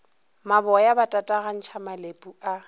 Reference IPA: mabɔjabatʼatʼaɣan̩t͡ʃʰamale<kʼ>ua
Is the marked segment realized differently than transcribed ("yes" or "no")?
yes